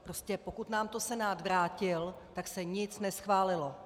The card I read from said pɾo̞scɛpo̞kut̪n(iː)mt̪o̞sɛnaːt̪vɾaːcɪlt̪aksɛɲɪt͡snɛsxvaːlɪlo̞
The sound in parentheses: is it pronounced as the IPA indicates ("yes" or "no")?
no